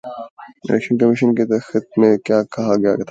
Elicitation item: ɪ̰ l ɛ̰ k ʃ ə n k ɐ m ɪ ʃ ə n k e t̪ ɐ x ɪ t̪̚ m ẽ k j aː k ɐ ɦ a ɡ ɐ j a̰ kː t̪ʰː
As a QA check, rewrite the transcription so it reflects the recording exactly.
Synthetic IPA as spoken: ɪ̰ l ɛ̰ k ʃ ə n k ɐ m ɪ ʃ ə n k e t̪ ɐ x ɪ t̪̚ m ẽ k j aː k ɐ ɦ a ɡ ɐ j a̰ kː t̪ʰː